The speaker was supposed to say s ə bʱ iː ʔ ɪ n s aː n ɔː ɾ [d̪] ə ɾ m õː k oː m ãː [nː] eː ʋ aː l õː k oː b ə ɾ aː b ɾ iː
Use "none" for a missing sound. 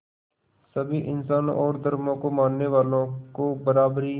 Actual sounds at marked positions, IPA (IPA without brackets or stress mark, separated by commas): d̪, nː